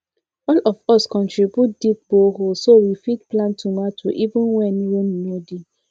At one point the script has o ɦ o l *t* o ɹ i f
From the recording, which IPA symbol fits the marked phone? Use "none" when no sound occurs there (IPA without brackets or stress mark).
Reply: s